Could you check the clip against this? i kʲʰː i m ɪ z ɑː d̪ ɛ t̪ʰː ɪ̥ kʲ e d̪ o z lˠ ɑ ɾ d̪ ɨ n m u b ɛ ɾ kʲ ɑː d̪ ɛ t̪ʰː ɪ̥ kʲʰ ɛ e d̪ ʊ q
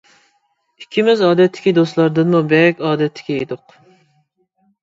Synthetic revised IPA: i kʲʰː i m ɪ z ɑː d̪ ɛ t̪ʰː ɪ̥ kʲ i d̪ o s lˠ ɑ ɾ d̪ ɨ n m u b ɛ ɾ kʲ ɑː d̪ ɛ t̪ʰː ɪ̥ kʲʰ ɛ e d̪ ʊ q